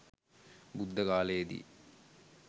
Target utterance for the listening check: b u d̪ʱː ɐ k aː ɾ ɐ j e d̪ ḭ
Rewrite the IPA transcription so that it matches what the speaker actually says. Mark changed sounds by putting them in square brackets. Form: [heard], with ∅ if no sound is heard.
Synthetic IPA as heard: b u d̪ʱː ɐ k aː [l] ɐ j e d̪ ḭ